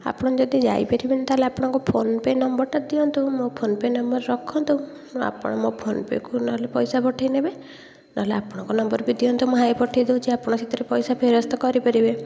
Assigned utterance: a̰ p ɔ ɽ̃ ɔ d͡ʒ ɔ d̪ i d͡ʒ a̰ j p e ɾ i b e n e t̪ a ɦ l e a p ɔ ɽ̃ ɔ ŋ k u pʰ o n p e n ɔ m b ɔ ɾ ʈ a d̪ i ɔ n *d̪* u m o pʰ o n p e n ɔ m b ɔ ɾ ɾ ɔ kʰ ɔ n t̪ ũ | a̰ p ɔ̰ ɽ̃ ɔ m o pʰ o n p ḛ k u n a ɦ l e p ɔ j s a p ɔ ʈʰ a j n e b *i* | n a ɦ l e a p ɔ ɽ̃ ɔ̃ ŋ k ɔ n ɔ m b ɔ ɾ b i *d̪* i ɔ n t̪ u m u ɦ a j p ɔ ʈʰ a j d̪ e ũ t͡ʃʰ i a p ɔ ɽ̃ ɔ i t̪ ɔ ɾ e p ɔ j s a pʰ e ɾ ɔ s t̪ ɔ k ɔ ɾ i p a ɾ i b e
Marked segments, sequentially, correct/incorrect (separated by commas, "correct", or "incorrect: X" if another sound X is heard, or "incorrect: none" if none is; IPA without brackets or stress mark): incorrect: t̪, incorrect: e, correct